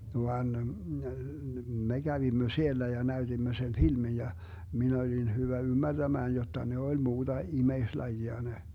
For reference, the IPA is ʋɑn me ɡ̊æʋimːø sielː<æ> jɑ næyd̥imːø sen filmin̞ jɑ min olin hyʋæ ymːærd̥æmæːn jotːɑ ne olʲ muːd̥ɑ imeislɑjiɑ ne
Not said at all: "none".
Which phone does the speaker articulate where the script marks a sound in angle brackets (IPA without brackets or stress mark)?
æ